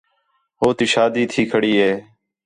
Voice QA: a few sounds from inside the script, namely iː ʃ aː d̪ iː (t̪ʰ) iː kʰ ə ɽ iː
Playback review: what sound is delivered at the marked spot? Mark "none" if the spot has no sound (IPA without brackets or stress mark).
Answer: t̪ʰ